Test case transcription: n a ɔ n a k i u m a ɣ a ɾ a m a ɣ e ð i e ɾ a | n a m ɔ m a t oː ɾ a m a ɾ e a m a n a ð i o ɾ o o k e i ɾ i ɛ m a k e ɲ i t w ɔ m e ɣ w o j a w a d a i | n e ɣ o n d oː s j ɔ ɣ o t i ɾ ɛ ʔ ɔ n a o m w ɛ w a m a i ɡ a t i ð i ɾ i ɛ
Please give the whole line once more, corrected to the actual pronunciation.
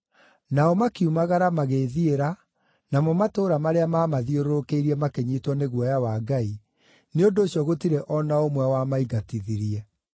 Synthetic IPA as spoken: n a ɔ m a k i u m a ɣ a ɾ a m a ɣ e ð i e ɾ a | n a m ɔ m a t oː ɾ a m a ɾ e a m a m a ð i o ɾ o o k e i ɾ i ɛ m a k e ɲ i t w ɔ n e ɣ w ɔ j a w a ɡ a i | n e o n d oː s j ɔ ɣ o t i ɾ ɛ ʔ ɔ n a o m w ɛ w a m a i ɡ a t i ð i ɾ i ɛ